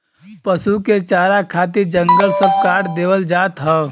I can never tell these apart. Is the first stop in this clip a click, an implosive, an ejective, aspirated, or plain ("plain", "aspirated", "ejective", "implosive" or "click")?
plain